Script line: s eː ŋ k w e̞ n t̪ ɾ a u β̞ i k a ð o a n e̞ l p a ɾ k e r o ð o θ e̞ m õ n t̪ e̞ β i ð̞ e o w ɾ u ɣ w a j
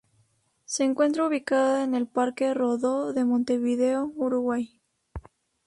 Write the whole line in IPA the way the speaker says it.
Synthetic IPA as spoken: s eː ŋ k w e̞ n t̪ ɾ a u β̞ i k a ð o e n e̞ l p a ɾ k e r o ð o ð e̞ m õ n t̪ e̞ β i ð̞ e o u ɾ u ɣ w a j